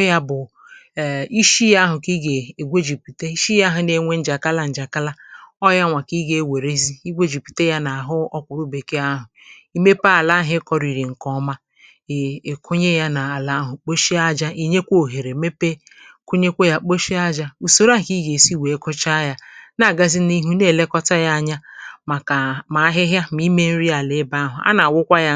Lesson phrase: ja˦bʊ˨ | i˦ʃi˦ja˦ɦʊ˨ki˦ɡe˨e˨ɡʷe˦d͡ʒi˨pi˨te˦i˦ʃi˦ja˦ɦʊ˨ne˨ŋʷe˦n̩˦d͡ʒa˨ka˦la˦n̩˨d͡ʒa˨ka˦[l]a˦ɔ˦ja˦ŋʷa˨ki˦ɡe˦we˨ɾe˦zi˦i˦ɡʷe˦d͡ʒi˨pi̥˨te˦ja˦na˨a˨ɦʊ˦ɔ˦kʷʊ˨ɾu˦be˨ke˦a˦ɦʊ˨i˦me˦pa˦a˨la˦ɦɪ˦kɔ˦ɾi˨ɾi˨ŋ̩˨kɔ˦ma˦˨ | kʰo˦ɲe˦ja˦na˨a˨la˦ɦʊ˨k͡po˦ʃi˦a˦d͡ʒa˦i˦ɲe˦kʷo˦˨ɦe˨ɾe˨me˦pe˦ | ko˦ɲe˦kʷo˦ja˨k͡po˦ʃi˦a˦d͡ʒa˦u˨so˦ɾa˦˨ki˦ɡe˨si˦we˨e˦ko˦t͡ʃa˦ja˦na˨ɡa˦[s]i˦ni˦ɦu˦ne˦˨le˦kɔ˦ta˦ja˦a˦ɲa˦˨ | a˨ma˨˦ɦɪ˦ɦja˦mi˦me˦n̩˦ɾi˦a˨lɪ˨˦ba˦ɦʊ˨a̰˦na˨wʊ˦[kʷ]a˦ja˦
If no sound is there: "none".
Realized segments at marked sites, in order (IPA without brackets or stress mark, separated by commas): l, z, kʷ